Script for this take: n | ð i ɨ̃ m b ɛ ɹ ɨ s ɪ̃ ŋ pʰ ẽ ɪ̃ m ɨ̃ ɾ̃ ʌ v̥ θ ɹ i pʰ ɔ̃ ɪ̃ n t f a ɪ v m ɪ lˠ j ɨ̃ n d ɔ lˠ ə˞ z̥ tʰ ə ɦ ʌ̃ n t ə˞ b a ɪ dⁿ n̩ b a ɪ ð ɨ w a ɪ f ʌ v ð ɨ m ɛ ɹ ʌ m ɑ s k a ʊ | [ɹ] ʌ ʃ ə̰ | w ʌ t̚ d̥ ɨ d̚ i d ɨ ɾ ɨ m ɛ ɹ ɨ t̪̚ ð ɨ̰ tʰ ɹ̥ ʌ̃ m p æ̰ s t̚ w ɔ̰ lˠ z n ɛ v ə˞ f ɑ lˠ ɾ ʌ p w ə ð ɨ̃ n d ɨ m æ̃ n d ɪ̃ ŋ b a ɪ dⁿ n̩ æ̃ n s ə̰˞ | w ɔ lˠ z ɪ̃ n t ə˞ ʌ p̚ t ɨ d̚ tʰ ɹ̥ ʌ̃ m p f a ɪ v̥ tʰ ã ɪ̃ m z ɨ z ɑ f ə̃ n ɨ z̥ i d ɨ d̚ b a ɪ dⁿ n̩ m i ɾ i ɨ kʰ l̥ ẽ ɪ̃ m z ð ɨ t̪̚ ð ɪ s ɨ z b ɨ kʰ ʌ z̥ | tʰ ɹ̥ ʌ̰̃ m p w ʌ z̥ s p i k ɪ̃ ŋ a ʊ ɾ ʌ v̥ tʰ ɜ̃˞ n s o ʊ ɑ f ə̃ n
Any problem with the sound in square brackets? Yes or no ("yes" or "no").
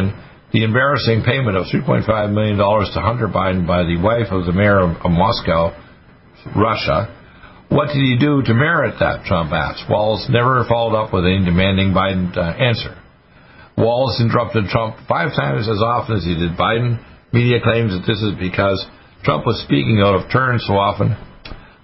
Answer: no